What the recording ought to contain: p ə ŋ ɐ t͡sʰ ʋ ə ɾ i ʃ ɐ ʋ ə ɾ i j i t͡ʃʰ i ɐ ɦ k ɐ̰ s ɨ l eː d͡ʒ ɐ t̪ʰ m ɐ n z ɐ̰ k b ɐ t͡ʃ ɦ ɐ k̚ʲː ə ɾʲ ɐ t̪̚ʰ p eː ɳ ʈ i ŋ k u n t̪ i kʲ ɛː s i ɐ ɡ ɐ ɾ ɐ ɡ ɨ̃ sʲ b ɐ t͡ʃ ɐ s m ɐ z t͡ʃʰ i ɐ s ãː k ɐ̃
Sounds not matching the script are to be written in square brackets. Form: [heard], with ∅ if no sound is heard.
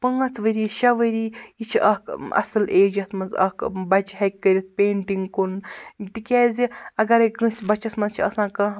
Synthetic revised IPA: p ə ŋ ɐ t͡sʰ ʋ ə ɾ i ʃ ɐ ʋ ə ɾ i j i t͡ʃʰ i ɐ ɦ k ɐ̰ s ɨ l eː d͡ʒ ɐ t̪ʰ m ɐ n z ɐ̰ k b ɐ t͡ʃ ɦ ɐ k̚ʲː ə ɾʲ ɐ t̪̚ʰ p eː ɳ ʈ i ŋ k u n t̪ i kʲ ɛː [z] i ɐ ɡ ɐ ɾ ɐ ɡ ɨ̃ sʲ b ɐ t͡ʃ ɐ s m ɐ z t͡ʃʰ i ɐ s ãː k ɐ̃